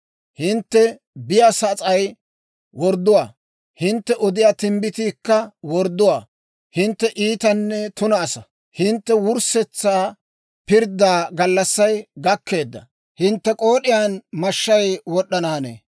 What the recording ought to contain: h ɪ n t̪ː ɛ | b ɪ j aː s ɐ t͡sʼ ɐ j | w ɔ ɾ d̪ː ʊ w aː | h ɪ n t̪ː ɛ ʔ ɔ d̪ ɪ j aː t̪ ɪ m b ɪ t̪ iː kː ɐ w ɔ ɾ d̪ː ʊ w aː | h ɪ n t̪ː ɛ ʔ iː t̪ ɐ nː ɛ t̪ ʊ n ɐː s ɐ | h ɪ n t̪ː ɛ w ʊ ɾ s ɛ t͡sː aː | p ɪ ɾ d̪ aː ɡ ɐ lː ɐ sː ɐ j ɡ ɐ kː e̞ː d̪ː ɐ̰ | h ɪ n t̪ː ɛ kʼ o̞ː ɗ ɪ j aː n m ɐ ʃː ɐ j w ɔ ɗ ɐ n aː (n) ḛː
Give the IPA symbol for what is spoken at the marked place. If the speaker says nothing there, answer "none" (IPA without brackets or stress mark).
n